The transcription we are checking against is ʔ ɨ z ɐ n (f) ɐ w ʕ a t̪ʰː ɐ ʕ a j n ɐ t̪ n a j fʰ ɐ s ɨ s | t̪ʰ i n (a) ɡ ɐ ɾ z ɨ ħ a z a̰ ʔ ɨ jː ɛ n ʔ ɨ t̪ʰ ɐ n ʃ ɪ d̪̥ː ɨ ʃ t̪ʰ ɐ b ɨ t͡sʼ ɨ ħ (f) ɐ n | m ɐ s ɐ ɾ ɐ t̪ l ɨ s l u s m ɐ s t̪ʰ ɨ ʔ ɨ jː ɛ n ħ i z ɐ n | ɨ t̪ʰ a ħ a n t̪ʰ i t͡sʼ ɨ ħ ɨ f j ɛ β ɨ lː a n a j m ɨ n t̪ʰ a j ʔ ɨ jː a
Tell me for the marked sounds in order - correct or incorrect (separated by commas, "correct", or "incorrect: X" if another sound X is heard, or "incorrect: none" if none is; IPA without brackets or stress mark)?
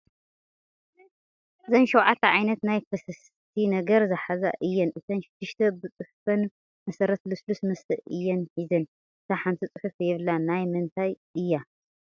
incorrect: ʃ, incorrect: ɐ, correct